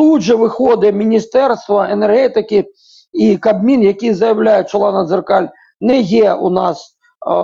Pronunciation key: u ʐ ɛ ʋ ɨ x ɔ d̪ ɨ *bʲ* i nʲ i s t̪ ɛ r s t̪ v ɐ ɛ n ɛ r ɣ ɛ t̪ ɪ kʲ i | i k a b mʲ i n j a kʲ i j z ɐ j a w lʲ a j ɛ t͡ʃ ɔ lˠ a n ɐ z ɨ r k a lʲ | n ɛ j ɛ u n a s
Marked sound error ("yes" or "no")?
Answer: yes